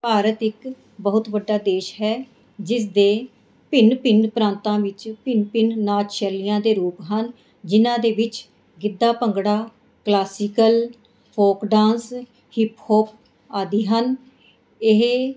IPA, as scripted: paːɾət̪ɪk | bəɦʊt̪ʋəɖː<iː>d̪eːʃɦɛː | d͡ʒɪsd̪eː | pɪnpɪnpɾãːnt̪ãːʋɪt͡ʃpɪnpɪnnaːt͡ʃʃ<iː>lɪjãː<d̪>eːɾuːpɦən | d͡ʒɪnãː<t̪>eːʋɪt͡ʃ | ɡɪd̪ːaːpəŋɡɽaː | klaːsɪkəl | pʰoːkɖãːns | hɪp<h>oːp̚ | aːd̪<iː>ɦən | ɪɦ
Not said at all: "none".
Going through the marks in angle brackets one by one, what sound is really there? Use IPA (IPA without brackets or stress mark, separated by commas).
aː, ɛː, d̪, d̪, h, iː